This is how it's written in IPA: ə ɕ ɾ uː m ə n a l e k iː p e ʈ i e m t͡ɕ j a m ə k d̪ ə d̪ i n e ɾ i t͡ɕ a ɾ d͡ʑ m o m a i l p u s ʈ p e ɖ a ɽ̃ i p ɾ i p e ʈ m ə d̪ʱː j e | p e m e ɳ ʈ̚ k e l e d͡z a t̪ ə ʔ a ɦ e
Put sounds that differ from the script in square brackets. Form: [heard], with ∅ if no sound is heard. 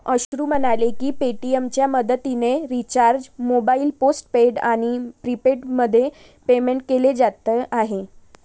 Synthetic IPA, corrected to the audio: ə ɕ ɾ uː m ə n a l e k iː p e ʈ i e m t͡ɕ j a m ə [∅] d̪ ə [t̪] i n e ɾ i t͡ɕ a ɾ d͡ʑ m o [b] a i l p [o] s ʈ p e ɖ a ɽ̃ i p ɾ i p e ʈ m ə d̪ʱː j e | p e m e ɳ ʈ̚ k e l e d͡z a t̪ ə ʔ a ɦ e